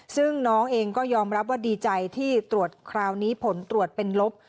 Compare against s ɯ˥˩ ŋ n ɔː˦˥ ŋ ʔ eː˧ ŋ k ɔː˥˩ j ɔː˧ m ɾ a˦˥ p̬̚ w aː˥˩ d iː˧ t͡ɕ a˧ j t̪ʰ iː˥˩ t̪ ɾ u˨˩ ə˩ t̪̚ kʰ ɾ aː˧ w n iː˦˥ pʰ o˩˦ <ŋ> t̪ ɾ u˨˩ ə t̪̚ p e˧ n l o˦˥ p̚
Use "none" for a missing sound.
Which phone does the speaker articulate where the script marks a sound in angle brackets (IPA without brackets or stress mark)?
n